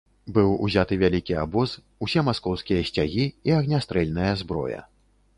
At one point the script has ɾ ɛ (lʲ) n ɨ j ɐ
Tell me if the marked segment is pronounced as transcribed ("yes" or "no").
yes